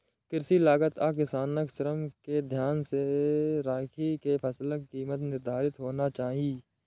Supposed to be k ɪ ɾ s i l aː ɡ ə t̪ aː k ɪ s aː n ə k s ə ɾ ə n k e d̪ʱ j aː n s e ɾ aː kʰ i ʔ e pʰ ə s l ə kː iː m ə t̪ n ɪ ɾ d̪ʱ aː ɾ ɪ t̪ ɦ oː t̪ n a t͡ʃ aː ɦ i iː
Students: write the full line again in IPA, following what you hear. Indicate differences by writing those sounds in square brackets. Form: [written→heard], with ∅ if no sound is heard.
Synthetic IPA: k ɪ ɾ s i l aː ɡ ə t̪ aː k ɪ s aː n ə k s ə ɾ ə [n→m] k e d̪ʱ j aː n s e ɾ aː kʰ i [ʔ→k] e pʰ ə s l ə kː iː m ə t̪ n ɪ ɾ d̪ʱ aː ɾ ɪ t̪ ɦ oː [t̪→∅] n a t͡ʃ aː ɦ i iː